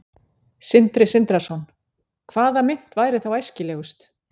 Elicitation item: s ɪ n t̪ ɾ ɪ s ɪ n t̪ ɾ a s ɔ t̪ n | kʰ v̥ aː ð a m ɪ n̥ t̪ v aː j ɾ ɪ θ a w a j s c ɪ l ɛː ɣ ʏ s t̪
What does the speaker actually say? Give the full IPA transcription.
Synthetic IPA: s ɪ n t̪ ɾ ɪ s ɪ n t̪ ɾ a s ɔ n | kʰ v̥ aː ð a m ɪ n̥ t̪ v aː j ɾ ɪ θ a w a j s c ɪ l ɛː ɣ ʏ s t̪

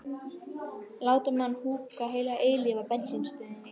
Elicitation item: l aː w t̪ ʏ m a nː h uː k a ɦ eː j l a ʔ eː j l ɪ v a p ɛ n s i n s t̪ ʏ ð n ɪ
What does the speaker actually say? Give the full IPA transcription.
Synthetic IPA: l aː w t̪ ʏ m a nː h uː k a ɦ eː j l a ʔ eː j l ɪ v a p ɛ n s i n s t̪ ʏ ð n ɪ

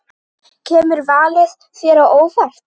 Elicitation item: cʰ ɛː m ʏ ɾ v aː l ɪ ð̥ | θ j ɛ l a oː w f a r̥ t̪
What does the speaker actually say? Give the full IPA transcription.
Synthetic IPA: cʰ ɛː m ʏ ɾ v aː l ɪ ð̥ | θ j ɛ ɾ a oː w f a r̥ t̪

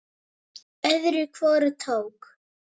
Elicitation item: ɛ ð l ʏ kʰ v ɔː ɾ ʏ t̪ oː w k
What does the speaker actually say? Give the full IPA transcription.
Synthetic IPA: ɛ ð ɾ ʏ kʰ v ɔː ɾ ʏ t̪ʰ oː w k

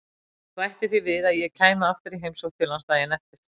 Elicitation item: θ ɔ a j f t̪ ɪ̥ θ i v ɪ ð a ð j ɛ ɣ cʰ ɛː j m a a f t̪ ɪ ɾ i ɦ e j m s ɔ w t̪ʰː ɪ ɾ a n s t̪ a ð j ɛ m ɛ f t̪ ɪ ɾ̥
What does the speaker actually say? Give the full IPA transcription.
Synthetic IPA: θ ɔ a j h t̪ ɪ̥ θ i v ɪ ð a ð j ɛ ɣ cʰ aː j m a a f t̪ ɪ ɾ i ɦ e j m s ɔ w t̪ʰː ɪ l a n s t̪ a ð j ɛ n ɛ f t̪ ɪ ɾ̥

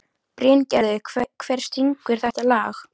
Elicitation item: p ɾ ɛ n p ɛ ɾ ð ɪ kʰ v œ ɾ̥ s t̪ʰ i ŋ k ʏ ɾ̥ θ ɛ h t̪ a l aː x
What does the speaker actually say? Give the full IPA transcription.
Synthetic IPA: p ɾ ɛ n c ɛ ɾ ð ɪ kʰ v ɛ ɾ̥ s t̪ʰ i ŋ k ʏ ɾ̥ θ ɛ h t̪ a l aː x

